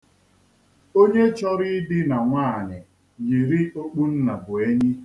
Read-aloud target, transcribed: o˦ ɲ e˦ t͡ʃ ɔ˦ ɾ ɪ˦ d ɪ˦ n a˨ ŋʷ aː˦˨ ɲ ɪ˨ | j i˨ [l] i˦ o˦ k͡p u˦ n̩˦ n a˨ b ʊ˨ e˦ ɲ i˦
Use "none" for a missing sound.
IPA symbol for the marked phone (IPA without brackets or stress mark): ɾ